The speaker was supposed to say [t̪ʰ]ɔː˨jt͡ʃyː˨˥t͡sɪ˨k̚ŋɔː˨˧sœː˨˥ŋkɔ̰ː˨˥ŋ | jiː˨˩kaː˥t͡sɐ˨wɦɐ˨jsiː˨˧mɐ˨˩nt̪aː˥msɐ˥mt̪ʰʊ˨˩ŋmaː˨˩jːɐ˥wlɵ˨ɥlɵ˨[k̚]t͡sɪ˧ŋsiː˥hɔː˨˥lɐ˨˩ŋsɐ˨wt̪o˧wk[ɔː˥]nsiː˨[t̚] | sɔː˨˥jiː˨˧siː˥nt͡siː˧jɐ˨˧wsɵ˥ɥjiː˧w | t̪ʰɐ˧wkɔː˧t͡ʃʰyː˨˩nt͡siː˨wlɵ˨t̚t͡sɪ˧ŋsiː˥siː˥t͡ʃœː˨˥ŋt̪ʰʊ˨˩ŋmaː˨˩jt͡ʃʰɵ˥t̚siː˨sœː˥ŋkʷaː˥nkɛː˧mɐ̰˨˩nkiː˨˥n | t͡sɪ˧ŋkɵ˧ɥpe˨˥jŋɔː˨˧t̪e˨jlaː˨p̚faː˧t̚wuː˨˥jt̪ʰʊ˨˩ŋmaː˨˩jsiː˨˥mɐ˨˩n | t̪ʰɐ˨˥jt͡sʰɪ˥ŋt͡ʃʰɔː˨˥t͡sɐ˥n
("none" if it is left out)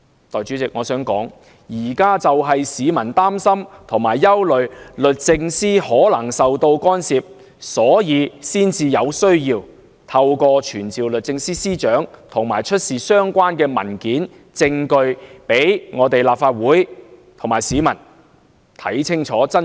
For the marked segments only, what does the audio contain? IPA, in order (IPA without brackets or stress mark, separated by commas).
t̪, t̚, ɔː˥, p̚